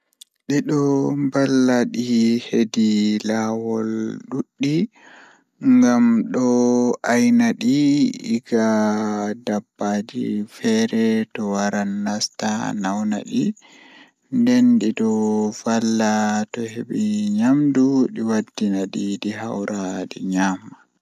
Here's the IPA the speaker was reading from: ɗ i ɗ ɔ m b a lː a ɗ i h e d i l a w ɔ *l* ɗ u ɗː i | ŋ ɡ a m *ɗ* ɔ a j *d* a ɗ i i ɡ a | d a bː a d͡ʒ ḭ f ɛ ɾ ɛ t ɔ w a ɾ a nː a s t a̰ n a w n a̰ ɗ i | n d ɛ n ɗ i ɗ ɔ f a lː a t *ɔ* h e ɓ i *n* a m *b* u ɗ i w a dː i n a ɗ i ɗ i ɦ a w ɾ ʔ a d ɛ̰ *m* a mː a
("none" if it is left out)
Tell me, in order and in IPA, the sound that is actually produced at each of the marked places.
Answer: l, ɗ, n, ɔ, ɲ, d, ɲ

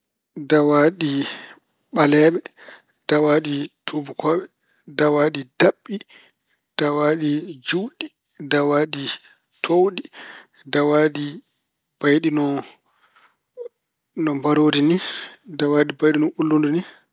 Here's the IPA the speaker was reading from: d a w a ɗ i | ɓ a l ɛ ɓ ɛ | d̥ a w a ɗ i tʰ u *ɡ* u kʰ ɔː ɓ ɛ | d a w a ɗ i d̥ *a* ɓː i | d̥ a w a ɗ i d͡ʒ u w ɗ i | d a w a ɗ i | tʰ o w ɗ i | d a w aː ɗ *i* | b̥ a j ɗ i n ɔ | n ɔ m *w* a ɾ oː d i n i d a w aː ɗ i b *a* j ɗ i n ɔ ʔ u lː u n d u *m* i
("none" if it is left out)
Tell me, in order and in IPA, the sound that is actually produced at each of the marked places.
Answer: b, a, i, b, a, n

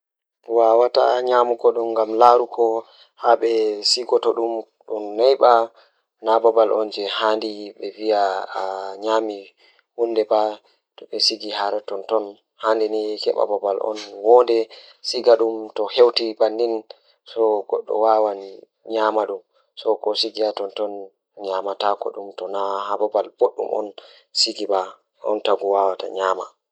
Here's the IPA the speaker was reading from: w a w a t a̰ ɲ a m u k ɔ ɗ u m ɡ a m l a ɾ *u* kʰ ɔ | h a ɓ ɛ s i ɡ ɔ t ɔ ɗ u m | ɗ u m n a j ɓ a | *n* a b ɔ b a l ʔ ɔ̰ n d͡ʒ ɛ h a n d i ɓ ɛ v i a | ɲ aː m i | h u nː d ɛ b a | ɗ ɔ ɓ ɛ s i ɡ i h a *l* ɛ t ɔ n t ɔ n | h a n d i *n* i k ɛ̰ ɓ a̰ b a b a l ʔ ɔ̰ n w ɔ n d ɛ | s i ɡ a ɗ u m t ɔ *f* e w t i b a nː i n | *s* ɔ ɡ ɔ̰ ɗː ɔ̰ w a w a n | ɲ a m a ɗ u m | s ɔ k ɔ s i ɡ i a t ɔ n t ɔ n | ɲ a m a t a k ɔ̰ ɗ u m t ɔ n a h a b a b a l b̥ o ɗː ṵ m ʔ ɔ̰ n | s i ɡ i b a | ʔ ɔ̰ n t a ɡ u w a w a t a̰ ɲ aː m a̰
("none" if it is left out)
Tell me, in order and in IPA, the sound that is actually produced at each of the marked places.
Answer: u, n, ɾ, n, h, s

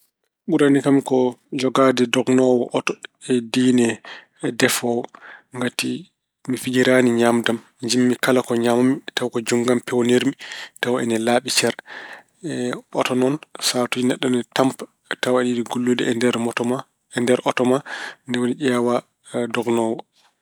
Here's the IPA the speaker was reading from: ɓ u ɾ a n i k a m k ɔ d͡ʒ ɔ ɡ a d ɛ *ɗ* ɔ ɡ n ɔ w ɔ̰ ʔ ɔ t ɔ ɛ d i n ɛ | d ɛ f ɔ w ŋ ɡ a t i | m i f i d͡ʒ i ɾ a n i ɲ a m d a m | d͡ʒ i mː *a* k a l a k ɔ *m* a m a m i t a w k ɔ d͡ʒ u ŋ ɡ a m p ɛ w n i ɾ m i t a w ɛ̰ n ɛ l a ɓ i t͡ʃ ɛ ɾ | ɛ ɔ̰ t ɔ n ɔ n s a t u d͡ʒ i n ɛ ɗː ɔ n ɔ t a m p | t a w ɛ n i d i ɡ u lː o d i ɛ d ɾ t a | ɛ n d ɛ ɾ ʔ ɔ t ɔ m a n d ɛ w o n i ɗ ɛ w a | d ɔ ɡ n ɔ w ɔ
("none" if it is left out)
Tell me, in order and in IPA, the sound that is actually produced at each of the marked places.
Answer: d, i, ɲ

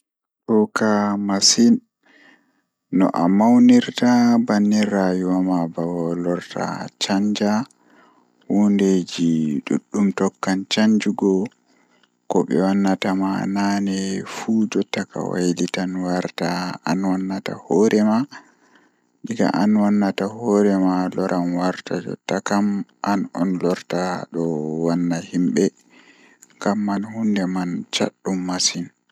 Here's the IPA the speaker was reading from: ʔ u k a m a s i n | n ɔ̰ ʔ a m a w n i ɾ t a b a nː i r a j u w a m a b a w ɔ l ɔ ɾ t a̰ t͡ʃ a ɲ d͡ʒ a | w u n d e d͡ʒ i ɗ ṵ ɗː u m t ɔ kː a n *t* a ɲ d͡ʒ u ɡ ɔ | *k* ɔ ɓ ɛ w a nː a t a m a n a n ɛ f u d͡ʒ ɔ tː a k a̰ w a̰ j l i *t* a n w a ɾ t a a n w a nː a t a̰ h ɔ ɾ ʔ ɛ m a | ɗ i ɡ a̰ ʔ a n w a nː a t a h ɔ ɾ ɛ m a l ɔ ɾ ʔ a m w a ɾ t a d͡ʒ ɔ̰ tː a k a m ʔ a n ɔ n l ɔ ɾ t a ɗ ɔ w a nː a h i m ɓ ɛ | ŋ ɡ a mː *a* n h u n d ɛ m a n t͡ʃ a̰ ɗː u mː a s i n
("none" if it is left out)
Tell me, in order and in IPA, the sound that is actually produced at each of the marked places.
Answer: t͡ʃ, k, t, a

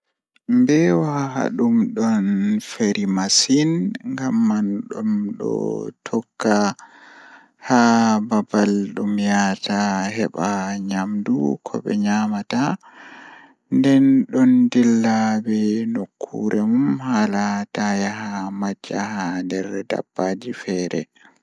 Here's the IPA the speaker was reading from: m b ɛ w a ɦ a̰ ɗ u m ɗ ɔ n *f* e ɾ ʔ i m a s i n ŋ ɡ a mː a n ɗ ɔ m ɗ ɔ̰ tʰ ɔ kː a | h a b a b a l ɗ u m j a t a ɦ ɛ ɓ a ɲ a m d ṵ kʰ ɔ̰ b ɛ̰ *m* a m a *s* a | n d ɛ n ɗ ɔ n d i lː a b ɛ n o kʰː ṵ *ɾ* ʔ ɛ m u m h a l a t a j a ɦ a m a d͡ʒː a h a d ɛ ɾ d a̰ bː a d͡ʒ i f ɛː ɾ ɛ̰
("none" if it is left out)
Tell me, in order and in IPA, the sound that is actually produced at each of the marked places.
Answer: f, ɲ, t, ɾ

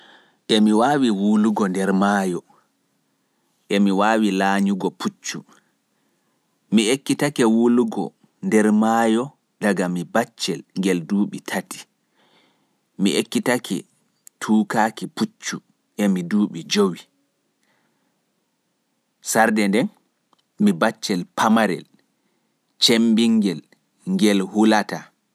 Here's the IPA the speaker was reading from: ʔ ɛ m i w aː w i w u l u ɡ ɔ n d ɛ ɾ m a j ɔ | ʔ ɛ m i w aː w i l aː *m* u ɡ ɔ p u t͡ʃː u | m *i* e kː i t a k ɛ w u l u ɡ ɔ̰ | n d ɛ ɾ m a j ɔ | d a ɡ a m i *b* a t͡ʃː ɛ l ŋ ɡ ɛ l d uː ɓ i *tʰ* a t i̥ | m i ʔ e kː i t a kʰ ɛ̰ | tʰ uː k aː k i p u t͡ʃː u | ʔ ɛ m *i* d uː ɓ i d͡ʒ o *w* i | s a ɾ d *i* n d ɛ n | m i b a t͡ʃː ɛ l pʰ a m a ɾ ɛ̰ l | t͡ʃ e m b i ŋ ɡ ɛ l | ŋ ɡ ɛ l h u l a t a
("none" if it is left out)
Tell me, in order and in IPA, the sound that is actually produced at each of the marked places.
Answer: ɲ, i, b, tʰ, i, w, ɛ

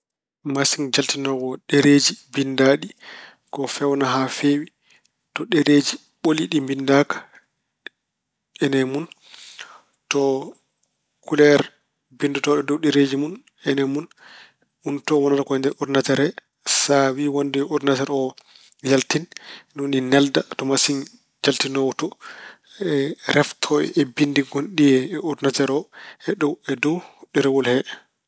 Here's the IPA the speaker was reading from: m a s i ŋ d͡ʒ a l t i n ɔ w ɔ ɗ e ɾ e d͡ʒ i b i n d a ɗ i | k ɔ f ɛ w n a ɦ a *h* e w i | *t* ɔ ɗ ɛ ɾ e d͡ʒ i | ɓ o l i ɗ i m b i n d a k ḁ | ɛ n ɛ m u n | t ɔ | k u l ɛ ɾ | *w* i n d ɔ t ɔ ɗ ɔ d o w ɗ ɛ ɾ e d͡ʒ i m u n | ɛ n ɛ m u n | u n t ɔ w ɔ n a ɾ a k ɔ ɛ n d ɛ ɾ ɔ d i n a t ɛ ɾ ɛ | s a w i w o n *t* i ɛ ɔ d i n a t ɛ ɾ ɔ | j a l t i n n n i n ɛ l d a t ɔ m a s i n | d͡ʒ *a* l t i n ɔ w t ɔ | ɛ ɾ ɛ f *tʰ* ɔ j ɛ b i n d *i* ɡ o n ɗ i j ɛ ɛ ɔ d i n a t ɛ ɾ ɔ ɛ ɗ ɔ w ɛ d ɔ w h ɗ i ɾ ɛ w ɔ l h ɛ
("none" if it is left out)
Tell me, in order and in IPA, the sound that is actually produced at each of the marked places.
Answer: f, t, b, d, a, tʰ, i

